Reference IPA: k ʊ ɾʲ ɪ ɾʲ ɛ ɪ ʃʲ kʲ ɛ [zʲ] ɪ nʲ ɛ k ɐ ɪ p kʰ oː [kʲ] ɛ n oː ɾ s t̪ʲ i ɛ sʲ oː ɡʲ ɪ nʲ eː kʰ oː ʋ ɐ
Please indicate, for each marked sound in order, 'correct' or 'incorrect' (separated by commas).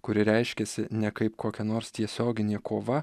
incorrect, correct